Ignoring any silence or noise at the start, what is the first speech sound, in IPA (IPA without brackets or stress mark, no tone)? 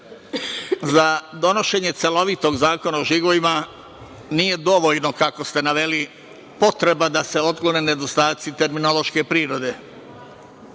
z